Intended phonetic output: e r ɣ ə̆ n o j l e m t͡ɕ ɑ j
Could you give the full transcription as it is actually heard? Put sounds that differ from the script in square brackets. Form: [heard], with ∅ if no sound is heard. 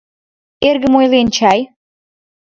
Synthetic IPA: e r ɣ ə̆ [m] o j l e [n] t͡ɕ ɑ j